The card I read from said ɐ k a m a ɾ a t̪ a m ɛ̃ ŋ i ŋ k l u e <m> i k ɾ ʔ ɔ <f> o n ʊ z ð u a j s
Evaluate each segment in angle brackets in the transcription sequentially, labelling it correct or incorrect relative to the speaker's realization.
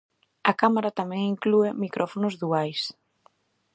correct, correct

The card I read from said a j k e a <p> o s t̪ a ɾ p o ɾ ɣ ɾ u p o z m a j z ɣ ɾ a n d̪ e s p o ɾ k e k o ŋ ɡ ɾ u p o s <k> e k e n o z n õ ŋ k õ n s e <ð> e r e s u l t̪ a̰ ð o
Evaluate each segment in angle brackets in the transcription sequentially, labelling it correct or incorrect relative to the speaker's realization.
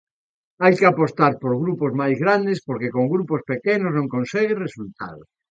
correct, incorrect: p, incorrect: ɣ

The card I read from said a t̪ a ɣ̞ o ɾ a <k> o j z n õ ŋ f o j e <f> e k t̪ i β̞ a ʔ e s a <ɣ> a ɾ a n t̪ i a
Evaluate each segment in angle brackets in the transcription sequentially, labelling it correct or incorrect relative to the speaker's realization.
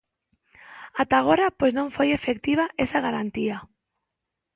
incorrect: p, correct, correct

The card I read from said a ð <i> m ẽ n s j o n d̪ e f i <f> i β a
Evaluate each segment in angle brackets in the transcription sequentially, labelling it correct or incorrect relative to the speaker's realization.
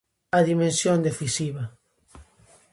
correct, incorrect: s

